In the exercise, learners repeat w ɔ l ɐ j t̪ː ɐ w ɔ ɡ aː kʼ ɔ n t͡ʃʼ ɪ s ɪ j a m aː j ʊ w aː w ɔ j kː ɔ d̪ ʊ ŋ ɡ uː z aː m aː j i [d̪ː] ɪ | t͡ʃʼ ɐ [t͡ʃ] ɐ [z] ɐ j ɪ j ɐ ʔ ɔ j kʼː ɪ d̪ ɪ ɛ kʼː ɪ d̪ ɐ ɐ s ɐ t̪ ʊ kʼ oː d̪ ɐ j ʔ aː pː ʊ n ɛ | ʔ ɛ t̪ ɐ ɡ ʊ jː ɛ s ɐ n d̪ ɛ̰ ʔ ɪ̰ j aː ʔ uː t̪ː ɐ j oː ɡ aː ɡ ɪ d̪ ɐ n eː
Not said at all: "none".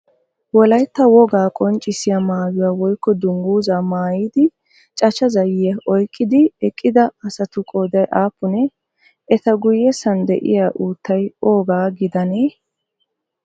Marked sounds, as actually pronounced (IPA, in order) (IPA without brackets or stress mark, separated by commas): d̪, t͡ʃ, z